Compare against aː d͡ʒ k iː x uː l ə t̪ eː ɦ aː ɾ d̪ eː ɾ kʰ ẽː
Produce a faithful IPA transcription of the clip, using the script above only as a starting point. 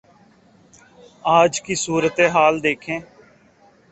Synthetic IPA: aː d͡ʒ k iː s uː ɾ ə t̪ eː ɦ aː l d̪ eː kʰ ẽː